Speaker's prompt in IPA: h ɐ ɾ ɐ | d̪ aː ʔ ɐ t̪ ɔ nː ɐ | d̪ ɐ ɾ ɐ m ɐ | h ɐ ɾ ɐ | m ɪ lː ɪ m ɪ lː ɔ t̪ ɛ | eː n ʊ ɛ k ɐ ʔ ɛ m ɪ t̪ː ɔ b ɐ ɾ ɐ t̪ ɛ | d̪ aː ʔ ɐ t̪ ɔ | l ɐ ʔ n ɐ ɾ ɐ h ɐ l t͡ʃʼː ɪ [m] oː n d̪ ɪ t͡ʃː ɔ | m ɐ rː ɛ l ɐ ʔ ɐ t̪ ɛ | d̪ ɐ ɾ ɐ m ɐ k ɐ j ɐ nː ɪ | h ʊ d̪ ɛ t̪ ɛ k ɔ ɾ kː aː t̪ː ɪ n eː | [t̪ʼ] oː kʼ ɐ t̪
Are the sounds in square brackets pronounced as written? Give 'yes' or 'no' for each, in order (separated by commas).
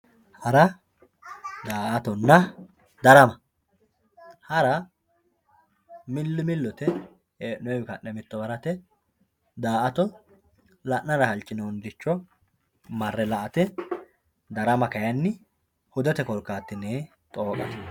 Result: no, yes